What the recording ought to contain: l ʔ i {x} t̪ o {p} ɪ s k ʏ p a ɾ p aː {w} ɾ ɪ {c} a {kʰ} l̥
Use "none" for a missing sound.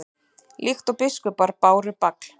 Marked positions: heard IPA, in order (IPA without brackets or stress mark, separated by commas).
x, p, w, p, k